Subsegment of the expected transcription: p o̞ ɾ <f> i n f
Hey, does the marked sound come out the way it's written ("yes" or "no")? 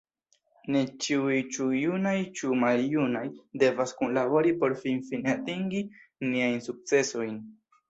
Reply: yes